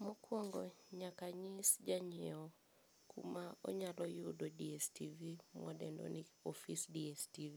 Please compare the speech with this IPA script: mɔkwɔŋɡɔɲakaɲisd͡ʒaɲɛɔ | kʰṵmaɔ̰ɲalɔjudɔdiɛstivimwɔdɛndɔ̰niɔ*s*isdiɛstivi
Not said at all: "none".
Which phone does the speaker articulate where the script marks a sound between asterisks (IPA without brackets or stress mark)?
f